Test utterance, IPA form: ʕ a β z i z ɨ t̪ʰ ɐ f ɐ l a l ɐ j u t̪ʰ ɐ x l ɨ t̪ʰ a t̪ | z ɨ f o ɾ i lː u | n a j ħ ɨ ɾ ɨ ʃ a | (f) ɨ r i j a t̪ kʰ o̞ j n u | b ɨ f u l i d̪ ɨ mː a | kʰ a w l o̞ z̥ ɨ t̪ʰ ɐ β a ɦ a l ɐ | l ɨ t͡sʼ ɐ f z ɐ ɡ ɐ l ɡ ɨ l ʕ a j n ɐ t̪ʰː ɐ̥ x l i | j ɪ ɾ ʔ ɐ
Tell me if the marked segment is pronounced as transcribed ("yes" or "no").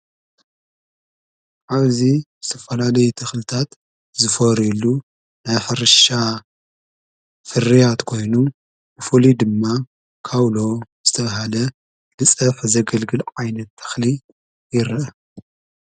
yes